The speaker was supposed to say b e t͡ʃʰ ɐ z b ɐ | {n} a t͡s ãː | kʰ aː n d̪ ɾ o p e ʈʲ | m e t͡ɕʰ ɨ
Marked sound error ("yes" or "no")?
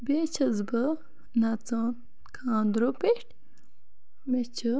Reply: no